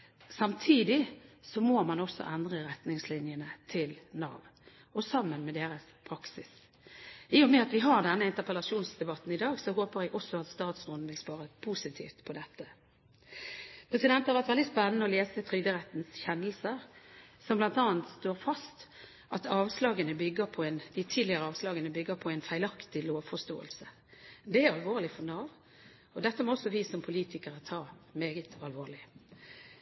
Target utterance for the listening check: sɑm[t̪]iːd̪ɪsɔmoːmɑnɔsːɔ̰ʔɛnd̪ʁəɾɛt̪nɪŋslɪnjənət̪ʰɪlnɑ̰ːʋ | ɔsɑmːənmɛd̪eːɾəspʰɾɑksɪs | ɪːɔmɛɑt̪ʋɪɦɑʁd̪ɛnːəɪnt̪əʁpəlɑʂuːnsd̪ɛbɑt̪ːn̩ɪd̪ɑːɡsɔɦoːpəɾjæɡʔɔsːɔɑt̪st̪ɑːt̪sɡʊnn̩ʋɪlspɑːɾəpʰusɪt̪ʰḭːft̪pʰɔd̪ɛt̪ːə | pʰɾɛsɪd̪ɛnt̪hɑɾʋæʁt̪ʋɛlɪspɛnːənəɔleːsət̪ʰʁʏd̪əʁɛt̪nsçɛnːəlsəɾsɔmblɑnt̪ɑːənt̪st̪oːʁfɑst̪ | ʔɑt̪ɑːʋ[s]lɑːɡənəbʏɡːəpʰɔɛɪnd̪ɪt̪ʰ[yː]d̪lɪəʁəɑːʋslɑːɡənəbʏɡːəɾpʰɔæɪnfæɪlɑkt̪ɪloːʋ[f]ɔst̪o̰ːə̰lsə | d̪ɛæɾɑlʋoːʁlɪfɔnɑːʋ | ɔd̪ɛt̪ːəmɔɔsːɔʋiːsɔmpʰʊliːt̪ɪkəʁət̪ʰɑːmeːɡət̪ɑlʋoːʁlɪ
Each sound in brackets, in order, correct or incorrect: incorrect, correct, incorrect, correct

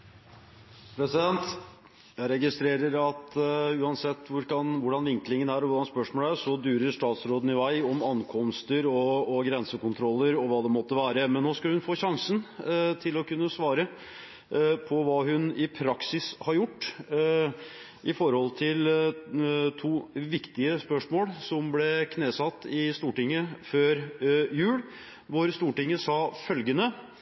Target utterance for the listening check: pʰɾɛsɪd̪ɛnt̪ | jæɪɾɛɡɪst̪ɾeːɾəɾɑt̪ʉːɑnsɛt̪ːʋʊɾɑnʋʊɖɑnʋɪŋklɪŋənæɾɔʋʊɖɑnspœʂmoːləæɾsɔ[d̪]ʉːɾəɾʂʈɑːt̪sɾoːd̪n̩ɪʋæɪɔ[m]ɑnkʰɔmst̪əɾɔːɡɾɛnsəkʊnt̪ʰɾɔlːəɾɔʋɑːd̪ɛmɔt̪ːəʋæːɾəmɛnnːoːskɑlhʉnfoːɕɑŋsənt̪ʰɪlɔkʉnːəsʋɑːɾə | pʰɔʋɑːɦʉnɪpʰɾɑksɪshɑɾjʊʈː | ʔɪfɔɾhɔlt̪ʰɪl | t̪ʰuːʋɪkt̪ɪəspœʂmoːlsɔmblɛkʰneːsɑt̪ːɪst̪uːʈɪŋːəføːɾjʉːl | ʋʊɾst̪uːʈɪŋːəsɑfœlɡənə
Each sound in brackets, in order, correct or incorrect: correct, correct

